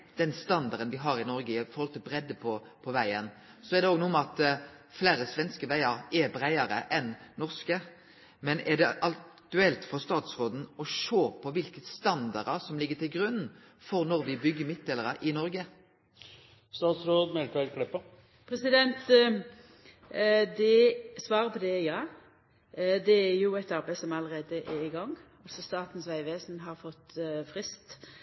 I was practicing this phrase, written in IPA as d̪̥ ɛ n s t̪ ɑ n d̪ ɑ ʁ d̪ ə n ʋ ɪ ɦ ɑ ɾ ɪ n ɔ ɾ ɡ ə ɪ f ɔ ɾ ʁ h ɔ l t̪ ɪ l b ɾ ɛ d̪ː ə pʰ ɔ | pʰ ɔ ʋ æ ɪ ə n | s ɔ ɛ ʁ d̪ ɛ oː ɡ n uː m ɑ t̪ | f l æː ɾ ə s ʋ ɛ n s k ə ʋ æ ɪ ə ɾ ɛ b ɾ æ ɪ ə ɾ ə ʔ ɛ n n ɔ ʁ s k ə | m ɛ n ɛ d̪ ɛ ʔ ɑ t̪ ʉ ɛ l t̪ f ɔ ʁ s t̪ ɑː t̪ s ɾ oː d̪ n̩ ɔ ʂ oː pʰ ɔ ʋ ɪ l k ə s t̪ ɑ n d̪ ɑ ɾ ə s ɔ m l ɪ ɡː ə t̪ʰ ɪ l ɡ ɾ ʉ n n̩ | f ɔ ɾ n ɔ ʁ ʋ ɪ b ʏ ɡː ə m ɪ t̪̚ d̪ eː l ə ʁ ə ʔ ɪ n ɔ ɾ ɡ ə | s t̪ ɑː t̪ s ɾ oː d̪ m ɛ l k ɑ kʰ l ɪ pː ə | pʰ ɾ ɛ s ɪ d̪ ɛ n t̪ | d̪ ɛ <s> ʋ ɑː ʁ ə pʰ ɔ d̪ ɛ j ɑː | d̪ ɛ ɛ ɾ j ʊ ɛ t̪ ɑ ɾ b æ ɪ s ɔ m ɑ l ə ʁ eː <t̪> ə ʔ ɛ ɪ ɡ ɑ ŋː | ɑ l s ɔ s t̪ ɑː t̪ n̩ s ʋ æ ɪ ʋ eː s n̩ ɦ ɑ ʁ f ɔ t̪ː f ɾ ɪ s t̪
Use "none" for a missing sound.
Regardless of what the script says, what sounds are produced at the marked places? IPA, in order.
s, d̪

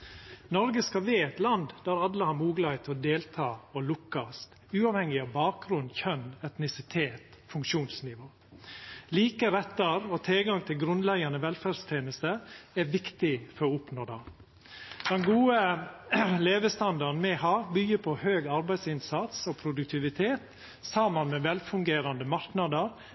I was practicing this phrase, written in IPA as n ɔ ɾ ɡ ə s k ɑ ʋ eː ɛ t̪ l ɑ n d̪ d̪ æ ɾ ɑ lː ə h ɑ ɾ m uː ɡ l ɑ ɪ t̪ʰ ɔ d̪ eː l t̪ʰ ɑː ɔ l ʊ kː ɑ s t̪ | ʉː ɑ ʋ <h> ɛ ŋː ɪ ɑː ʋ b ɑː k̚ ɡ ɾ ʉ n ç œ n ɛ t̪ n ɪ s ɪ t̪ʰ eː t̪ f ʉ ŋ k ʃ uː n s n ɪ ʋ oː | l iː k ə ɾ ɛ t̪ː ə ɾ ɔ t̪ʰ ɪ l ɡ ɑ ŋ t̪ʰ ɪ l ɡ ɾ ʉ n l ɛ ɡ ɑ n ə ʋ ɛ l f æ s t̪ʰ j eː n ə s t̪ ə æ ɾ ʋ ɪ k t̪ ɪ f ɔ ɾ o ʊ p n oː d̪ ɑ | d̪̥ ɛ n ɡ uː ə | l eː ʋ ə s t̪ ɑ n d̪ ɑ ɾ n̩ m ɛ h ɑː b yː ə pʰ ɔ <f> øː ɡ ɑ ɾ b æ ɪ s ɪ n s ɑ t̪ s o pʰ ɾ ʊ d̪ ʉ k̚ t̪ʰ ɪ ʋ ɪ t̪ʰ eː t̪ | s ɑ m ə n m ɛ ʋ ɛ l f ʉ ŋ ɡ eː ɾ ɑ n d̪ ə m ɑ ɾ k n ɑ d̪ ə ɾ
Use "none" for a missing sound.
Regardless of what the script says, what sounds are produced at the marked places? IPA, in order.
h, h

